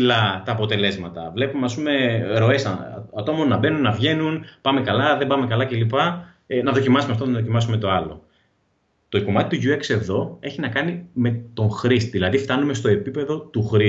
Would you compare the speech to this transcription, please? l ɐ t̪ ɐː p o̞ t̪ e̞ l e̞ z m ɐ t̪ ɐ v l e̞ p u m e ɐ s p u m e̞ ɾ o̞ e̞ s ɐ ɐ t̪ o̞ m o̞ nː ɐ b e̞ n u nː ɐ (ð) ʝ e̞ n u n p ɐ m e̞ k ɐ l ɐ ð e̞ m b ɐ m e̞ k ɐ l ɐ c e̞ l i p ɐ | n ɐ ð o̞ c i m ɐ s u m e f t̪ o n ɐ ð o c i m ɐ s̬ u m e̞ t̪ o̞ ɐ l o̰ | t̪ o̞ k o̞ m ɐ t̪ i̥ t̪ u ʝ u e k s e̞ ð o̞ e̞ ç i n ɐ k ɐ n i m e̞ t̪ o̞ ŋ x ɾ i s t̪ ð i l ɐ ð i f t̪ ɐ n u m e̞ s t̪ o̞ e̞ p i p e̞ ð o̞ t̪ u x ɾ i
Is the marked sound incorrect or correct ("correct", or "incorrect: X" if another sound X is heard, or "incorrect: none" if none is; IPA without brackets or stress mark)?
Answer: incorrect: v